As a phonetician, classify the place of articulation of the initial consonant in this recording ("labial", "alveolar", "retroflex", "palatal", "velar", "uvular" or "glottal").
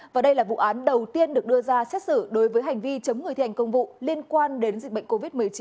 labial